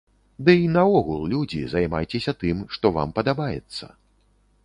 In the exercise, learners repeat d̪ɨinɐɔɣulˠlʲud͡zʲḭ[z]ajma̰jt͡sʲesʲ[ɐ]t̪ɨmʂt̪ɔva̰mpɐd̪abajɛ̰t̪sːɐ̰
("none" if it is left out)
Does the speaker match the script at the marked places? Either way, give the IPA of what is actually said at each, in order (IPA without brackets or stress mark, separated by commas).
z, ɐ